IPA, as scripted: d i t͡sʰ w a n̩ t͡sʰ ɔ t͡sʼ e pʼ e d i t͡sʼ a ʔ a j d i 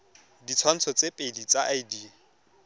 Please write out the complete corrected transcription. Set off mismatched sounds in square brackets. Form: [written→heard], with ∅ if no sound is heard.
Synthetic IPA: d i t͡sʰ w a n̩ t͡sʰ ɔ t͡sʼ e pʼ e d i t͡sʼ a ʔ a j d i